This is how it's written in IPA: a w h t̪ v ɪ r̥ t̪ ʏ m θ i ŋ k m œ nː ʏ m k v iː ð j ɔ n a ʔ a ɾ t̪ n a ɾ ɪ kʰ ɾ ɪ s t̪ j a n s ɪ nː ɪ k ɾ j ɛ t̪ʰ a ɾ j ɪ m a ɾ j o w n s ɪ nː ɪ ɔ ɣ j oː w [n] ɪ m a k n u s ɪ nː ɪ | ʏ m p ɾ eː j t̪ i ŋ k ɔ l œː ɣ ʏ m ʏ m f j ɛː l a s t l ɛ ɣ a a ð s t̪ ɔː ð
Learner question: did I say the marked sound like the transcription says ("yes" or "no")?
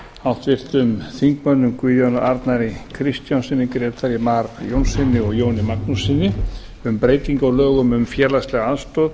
yes